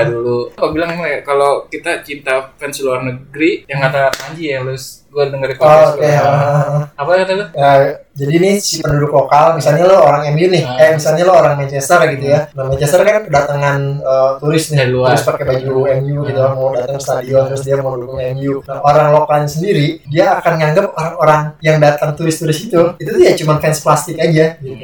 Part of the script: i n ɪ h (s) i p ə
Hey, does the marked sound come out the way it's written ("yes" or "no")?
yes